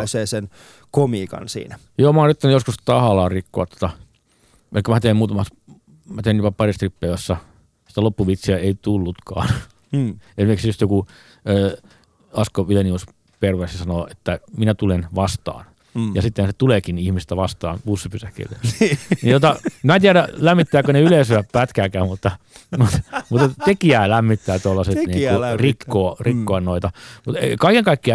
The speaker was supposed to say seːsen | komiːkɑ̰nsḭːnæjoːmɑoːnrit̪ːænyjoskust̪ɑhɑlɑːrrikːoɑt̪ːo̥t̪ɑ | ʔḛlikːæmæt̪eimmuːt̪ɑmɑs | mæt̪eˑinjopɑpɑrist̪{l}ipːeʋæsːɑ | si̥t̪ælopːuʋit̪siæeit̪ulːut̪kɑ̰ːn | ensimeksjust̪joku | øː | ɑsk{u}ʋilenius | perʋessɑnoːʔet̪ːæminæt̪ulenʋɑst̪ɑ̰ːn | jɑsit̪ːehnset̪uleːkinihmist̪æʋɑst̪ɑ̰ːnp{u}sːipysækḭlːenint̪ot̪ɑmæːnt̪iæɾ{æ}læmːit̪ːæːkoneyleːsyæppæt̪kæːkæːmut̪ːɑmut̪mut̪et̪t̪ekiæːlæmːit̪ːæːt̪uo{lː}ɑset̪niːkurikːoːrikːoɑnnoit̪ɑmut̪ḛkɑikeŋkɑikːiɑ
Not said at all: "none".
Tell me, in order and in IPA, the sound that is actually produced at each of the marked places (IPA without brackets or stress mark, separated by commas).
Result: r, o, u, æ, lː